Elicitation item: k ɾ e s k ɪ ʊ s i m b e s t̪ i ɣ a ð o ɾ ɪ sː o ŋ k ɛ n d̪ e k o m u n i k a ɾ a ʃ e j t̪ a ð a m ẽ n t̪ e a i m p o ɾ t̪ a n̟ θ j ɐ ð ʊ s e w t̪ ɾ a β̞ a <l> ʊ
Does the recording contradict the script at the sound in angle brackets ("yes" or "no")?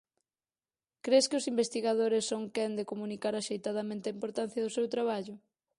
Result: yes